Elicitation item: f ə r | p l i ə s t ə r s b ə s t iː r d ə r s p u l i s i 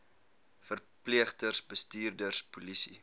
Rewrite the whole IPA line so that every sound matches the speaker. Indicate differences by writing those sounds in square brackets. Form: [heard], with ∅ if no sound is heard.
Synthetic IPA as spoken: f ə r | p l i ə [χ] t ə r s b ə s t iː r d ə r s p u l i s i